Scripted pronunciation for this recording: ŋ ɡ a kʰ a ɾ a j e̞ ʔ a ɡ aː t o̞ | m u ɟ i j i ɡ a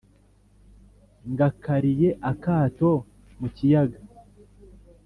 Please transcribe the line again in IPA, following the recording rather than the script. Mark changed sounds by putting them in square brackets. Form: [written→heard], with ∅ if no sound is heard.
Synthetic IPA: ŋ ɡ a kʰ a ɾ [a→i] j e̞ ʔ a [ɡ→k] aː t o̞ | m u [ɟ→c] i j [i→a] ɡ a